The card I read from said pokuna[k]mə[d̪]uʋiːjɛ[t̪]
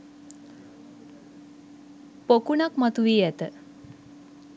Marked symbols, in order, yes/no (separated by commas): yes, no, yes